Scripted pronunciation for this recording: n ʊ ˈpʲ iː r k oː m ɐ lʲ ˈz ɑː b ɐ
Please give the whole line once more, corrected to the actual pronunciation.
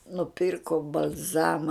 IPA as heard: n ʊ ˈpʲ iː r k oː b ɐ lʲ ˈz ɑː m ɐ